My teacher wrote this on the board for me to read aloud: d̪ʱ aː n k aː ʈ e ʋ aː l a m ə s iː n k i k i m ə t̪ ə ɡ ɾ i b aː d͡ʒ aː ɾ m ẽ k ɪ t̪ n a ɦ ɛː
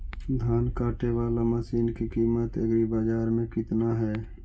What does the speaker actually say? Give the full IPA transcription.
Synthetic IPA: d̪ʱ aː n k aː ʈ e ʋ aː l a m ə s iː n k i k iː m ə t̪ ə ɡ ɾ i b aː d͡ʒ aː ɾ m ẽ k ɪ t̪ n a ɦ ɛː